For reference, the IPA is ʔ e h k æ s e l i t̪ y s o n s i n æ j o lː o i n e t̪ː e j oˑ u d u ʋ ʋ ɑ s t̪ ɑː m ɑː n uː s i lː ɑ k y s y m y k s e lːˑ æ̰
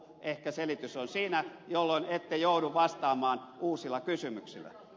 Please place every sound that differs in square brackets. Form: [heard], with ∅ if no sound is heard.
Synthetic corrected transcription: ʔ e h k æ s e l i t̪ y s o n s [iː] n æ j o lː o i n e t̪ː e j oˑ u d u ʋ ʋ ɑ s t̪ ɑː m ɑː n uː s i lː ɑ k y s y m y k s [i] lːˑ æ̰